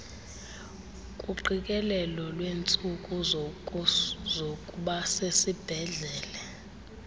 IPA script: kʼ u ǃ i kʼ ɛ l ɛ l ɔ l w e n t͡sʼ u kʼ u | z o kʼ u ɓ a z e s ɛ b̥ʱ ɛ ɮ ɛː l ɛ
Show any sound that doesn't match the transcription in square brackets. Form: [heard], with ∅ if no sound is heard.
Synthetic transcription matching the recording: kʼ u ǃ i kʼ ɛ l ɛ l ɔ l w e n t͡sʼ u kʼ u | z o kʼ u ɓ a [s] e s [i] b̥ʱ ɛ ɮ ɛː l ɛ